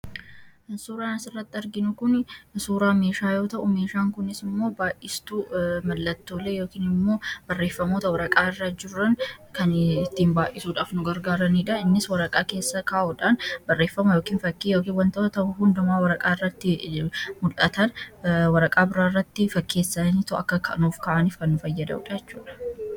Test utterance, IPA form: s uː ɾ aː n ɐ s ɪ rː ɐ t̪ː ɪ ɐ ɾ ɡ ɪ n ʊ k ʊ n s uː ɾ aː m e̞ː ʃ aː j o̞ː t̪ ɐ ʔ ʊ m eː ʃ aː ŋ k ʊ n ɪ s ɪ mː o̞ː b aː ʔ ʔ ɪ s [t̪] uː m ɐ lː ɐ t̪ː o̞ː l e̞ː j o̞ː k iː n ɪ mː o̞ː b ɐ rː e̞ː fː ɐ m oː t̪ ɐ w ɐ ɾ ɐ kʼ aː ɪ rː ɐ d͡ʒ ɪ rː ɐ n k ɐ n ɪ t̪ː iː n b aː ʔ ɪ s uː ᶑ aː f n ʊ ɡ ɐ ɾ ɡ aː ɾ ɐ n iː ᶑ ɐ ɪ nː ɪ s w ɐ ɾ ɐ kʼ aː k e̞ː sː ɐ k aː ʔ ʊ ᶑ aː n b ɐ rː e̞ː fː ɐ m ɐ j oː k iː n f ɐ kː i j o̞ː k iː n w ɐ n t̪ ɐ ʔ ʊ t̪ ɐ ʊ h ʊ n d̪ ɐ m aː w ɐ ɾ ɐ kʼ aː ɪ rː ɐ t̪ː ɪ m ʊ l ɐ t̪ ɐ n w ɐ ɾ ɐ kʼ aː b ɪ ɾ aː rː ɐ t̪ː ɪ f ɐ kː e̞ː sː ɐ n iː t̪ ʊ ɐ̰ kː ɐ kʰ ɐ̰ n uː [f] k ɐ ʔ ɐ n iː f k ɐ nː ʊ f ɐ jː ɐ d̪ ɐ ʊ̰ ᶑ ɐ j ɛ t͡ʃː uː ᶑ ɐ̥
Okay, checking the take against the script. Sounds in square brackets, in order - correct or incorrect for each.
correct, correct

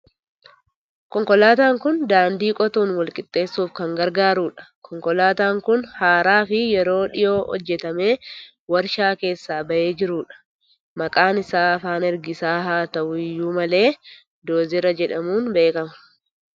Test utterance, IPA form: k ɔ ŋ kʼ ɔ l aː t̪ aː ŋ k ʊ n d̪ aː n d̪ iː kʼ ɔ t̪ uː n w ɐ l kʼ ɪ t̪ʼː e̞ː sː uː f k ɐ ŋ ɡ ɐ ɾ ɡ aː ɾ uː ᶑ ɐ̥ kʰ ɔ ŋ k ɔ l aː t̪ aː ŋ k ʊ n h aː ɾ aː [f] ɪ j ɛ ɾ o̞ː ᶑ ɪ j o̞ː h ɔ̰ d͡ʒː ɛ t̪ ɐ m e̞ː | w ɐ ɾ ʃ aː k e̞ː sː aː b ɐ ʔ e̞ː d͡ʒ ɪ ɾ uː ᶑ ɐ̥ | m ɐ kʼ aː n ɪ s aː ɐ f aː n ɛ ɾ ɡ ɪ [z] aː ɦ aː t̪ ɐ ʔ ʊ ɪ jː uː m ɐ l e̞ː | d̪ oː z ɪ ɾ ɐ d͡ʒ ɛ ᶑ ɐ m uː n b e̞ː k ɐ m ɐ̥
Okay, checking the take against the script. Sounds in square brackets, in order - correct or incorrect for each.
correct, incorrect: s

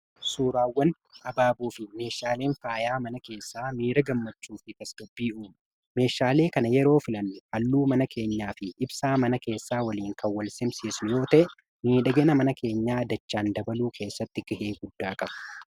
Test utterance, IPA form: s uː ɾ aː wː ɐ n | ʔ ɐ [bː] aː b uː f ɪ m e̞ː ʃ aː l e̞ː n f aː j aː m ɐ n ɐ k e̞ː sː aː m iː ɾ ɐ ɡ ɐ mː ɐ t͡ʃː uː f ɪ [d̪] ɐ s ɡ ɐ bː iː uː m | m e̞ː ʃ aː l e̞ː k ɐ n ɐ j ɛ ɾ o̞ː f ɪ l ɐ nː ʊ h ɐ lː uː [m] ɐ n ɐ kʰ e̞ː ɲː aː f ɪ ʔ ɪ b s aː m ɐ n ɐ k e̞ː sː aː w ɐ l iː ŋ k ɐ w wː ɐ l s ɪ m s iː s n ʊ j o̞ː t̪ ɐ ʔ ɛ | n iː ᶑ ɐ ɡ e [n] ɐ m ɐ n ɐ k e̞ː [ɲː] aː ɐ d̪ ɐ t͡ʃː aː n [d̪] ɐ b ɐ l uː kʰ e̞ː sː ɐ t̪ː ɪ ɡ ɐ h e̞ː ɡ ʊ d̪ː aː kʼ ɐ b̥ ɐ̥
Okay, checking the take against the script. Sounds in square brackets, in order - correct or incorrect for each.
incorrect: b, incorrect: t̪, correct, correct, correct, correct

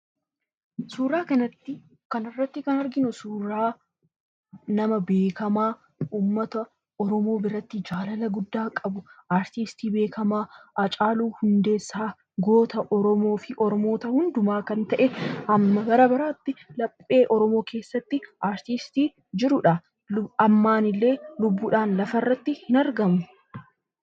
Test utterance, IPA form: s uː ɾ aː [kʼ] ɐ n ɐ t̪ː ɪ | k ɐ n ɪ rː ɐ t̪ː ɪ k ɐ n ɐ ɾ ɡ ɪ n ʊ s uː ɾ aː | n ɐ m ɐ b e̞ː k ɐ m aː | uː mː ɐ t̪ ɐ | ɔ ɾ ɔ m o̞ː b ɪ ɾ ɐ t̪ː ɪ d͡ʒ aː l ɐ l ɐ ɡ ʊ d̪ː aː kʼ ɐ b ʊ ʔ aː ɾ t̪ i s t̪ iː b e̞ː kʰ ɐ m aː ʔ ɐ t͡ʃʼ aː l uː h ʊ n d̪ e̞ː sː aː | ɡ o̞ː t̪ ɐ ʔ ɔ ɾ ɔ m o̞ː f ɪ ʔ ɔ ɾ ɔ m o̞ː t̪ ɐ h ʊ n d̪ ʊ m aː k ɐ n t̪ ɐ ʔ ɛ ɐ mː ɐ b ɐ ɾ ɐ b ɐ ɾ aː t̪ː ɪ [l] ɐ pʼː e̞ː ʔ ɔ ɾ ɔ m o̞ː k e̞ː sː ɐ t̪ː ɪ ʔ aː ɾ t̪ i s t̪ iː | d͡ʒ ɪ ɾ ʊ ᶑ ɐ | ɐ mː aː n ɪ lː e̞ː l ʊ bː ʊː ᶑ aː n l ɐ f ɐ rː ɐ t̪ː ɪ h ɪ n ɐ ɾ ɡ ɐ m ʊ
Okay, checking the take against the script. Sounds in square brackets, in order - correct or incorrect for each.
incorrect: k, correct

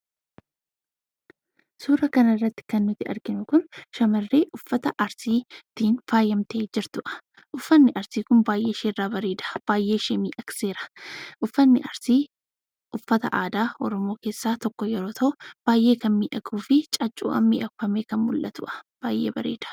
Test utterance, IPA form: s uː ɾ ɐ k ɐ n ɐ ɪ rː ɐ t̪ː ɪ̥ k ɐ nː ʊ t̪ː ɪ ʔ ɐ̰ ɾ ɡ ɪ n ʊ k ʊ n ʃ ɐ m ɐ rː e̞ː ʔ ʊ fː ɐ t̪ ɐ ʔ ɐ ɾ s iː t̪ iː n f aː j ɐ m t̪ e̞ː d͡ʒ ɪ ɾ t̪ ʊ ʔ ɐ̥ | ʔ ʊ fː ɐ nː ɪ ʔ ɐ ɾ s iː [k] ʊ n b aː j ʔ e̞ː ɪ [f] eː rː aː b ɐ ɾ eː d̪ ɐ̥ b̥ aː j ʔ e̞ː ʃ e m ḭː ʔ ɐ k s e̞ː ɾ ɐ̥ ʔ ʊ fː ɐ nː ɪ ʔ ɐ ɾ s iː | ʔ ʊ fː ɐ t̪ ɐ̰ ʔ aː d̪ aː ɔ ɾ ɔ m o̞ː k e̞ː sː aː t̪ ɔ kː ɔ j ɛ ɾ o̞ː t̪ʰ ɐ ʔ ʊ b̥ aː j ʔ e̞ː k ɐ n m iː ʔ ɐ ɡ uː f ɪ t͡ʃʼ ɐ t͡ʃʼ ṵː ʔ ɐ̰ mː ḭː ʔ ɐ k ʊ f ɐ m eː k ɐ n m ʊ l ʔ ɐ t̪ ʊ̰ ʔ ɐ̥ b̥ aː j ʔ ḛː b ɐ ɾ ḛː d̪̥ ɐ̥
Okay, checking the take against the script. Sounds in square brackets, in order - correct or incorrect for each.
correct, incorrect: ʃ

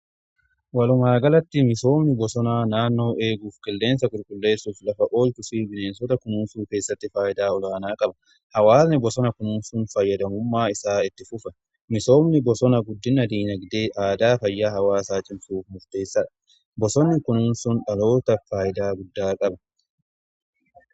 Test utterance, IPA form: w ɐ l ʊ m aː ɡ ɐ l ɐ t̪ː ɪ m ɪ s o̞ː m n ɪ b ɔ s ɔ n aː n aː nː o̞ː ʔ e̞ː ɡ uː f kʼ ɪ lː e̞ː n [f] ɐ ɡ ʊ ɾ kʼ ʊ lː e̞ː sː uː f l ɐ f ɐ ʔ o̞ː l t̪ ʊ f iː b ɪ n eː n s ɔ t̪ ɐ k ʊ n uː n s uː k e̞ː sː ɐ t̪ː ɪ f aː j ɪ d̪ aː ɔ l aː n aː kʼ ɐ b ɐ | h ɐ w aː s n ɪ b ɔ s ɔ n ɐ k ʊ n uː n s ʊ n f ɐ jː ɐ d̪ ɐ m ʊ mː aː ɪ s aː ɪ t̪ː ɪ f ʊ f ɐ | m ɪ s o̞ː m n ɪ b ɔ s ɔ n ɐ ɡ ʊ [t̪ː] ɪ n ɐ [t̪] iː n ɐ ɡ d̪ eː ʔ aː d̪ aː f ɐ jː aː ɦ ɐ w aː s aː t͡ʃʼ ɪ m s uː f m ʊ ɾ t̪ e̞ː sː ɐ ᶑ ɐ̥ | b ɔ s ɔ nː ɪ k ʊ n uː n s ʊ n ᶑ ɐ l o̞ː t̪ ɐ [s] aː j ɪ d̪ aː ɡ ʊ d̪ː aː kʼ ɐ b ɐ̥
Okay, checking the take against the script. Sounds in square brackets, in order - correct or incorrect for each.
incorrect: s, incorrect: d̪ː, incorrect: d̪, incorrect: f

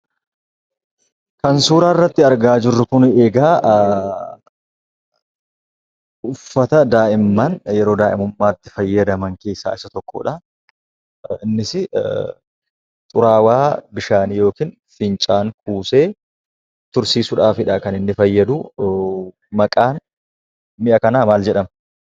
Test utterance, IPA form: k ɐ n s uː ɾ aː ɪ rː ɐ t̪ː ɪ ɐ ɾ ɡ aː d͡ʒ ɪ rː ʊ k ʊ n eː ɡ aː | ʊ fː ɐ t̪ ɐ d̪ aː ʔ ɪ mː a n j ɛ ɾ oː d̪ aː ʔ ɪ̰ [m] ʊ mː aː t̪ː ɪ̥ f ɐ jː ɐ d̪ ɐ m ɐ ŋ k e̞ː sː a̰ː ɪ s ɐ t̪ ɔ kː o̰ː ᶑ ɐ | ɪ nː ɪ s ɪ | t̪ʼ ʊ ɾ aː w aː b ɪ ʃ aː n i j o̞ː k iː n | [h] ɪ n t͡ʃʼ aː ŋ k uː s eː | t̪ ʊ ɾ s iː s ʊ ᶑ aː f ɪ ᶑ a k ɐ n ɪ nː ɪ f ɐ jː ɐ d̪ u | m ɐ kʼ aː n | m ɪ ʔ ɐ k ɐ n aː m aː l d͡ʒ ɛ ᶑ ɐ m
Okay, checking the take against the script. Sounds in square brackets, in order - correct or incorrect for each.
correct, incorrect: f

